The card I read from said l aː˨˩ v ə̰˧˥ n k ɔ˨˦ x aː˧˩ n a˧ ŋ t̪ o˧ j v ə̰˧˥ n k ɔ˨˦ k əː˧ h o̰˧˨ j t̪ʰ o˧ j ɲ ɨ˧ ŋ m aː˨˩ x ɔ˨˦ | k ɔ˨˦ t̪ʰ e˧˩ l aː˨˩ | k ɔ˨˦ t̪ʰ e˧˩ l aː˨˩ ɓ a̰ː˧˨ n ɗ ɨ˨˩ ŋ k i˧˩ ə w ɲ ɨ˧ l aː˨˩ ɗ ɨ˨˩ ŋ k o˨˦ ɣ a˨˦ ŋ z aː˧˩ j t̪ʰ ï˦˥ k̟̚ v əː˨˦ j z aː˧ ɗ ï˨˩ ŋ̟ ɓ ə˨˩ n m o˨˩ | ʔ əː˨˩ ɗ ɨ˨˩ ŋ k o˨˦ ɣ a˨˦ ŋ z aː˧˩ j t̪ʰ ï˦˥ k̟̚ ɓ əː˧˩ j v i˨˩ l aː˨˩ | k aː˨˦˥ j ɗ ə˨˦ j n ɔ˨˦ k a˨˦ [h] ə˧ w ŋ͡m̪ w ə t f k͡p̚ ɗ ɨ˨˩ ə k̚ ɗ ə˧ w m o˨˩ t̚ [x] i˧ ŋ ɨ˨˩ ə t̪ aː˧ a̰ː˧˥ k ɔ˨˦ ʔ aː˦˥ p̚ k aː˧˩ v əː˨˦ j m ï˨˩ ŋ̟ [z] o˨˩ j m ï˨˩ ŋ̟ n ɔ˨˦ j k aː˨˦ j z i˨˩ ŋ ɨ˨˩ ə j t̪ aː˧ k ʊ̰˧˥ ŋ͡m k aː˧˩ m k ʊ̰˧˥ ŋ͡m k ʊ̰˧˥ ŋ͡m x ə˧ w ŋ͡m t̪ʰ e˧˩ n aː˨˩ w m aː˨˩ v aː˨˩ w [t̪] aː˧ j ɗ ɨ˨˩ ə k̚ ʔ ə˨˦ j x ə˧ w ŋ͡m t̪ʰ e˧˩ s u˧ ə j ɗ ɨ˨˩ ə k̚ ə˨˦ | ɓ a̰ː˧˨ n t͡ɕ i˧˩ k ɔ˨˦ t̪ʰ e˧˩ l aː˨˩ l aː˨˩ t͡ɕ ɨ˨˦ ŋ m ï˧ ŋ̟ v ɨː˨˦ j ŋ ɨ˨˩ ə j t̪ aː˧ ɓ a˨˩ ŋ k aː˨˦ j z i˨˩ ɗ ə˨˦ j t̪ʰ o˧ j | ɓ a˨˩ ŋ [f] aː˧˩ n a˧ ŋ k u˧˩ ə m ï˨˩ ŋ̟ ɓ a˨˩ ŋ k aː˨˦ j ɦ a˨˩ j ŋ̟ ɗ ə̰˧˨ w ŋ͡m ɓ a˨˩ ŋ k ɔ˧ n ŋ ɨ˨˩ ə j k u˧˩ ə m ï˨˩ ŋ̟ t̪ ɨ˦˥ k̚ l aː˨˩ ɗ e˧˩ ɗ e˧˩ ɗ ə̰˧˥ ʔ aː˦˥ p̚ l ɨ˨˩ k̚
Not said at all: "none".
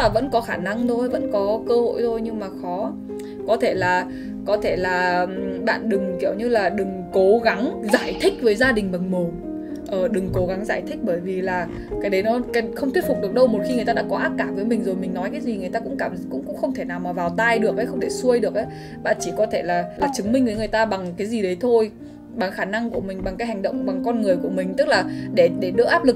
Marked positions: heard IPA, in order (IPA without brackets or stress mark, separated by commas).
x, x, z, t̪, x